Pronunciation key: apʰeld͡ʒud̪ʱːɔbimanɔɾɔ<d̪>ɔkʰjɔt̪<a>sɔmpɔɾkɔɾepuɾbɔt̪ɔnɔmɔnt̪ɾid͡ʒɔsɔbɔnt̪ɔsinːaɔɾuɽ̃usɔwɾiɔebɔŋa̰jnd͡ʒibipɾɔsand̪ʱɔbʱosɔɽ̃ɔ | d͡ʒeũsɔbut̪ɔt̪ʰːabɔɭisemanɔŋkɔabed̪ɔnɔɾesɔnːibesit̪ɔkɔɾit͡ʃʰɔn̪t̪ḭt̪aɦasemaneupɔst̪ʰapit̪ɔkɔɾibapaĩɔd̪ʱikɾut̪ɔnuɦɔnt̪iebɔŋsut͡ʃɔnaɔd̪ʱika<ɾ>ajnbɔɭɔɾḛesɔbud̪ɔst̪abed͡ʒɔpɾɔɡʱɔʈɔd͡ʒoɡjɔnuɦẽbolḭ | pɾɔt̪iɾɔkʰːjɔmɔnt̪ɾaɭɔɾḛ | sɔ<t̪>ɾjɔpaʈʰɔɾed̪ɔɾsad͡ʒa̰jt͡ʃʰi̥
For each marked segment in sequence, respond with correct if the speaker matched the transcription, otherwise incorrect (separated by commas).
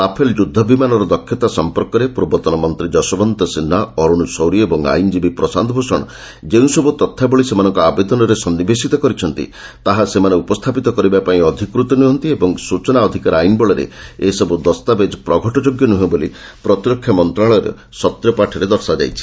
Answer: correct, correct, correct, correct